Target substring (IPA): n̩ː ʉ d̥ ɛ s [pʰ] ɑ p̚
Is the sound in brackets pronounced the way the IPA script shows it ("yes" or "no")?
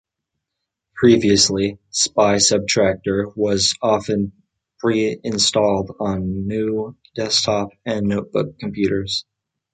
no